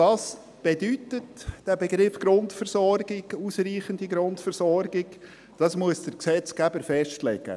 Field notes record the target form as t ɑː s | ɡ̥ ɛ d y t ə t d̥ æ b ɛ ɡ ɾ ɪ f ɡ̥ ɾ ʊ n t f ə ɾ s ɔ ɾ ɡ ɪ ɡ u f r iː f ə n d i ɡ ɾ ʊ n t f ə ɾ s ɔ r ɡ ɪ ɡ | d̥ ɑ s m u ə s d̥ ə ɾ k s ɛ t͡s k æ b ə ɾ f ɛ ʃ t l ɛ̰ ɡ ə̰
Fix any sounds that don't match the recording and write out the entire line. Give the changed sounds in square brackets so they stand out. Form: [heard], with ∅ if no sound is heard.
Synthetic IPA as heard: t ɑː s | [b̥] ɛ d y t ə t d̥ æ b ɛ ɡ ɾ ɪ f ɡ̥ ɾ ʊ n t f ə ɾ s ɔ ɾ ɡ ɪ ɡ u [s] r iː [χ] ə n d i ɡ ɾ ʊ n t f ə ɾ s ɔ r ɡ ɪ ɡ | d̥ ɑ s m u ə s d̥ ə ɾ k s ɛ t͡s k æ b ə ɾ f ɛ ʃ t l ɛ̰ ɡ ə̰